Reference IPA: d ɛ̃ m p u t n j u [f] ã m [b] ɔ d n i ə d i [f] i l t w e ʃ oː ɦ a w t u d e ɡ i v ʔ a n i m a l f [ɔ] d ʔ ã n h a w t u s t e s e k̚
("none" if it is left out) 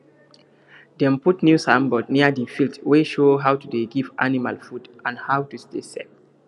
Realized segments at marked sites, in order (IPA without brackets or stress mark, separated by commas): s, b, f, u